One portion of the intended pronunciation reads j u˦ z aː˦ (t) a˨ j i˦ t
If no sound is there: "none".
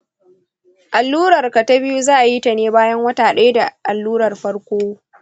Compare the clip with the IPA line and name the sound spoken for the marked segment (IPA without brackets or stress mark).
ʔ